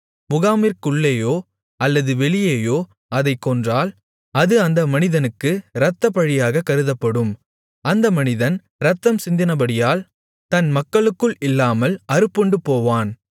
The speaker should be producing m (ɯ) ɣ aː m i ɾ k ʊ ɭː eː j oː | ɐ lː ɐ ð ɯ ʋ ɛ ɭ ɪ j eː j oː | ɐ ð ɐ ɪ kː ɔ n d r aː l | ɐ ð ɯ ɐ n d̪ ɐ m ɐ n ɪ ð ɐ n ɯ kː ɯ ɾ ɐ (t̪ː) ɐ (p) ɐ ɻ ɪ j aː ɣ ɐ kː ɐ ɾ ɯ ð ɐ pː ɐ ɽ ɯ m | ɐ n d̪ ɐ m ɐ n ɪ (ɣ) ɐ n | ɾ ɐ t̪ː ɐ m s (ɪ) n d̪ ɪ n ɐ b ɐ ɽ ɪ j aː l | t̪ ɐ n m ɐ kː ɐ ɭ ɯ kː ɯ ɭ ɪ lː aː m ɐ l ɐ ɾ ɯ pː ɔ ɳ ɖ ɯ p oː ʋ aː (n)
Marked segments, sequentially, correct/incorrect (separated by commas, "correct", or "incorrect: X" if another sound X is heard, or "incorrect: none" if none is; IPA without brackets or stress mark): incorrect: ʊ, correct, correct, incorrect: ð, correct, correct